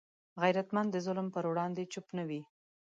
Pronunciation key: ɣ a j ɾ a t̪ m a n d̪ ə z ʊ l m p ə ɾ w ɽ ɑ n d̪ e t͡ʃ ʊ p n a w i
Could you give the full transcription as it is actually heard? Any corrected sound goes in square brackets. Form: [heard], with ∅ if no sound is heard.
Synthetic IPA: ɣ a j ɾ a t̪ m a n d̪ ə z ʊ l m p ə ɾ w ɽ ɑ n d̪ e t͡ʃ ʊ p n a w i